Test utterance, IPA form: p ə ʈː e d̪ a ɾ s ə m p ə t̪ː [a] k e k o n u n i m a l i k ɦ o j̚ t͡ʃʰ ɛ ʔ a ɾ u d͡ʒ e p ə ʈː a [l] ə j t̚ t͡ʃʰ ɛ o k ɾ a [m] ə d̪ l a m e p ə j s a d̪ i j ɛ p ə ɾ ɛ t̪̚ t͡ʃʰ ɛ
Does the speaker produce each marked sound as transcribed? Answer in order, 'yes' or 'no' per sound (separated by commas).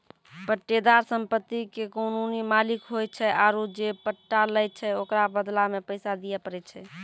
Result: no, yes, no